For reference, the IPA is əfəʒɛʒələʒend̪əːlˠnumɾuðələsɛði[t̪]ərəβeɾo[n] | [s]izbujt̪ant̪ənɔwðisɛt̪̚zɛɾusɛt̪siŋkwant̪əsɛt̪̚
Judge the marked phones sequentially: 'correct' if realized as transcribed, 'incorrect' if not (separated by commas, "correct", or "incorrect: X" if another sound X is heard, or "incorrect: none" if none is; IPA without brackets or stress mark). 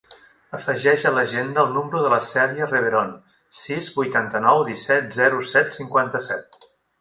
incorrect: none, correct, correct